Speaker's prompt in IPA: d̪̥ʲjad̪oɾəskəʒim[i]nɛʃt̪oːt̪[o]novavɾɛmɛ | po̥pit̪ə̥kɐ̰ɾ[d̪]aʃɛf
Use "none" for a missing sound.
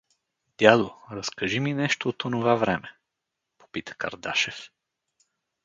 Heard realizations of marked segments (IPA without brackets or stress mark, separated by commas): i, o, d̪